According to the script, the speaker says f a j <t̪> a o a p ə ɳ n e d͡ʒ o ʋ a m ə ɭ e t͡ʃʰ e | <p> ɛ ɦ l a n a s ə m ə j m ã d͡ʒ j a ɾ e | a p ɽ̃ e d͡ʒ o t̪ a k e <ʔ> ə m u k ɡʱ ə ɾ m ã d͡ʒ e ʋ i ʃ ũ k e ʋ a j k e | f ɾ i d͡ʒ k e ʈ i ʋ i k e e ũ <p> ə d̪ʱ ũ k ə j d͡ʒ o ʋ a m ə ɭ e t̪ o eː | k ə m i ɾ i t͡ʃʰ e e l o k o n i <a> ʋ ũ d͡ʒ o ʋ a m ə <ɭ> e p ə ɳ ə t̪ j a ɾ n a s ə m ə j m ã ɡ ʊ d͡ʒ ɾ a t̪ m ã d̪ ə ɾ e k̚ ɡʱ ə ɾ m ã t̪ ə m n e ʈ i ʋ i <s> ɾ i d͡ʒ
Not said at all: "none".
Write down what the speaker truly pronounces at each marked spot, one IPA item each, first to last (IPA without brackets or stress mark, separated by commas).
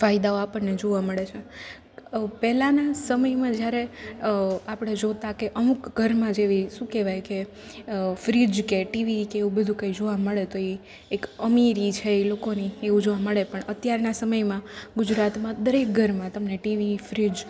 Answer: d̪, p, ʔ, b, e, ɭ, f